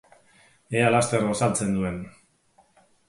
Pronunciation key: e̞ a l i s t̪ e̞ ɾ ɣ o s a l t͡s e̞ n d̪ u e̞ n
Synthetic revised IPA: e̞ a l a s t̪ e̞ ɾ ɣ o s a l t͡s e̞ n d̪ u e̞ n